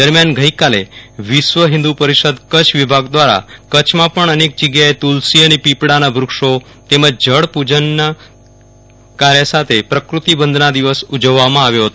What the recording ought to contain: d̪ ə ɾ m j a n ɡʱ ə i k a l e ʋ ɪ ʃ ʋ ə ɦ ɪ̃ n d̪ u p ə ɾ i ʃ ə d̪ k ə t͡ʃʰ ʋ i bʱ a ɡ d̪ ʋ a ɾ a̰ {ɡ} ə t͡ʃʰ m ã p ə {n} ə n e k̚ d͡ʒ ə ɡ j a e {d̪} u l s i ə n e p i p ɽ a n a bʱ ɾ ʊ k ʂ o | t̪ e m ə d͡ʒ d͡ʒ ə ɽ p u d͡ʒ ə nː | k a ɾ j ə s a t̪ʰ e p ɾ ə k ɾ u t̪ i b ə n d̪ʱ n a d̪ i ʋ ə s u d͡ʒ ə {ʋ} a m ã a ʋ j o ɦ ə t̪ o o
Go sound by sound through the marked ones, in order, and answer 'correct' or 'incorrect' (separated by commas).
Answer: incorrect, incorrect, incorrect, incorrect